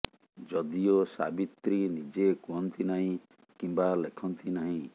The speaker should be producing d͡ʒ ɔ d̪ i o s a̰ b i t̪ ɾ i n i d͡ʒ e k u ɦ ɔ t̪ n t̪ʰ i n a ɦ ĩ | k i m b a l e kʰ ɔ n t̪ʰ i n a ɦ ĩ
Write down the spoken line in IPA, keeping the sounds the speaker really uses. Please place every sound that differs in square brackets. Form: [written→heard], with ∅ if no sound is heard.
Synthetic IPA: d͡ʒ ɔ d̪ i o s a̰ b i t̪ ɾ i n i d͡ʒ e k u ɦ ɔ [t̪→∅] n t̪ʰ i n a ɦ ĩ | k i m b a l e kʰ ɔ n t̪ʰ i n a ɦ ĩ